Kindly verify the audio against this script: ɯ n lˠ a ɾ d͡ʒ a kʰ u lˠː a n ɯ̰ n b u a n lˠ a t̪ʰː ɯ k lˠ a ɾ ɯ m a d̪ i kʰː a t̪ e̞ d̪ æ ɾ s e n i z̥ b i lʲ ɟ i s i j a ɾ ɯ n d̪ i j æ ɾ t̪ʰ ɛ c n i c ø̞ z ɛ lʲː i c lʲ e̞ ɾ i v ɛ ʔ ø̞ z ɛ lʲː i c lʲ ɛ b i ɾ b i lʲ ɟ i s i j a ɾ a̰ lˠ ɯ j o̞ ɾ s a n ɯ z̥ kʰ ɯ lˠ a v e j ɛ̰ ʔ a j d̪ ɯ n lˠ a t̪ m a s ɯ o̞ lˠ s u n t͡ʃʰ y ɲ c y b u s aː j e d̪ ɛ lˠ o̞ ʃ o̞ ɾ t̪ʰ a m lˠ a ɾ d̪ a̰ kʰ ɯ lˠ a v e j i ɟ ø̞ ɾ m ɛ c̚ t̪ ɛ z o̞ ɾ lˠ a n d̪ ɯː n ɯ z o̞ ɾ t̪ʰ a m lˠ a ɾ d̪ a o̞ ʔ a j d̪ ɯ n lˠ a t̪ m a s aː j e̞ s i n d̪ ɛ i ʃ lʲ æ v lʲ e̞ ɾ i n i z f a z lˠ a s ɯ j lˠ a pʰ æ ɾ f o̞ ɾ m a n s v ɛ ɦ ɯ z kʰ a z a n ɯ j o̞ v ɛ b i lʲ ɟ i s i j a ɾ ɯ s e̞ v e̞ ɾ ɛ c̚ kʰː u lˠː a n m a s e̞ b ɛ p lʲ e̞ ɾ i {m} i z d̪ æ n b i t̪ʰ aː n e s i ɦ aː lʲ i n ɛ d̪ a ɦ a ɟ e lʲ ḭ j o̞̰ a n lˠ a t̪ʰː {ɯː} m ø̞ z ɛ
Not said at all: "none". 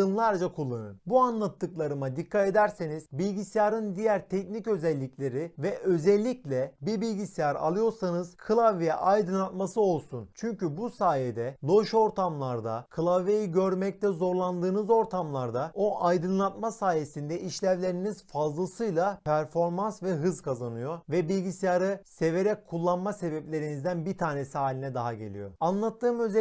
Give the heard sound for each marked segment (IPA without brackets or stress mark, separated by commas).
n, ɯː